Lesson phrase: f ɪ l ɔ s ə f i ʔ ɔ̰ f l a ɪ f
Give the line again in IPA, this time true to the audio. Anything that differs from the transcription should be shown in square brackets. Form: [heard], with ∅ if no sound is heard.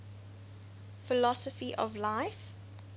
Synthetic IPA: f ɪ l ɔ s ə f i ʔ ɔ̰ [v] l a ɪ f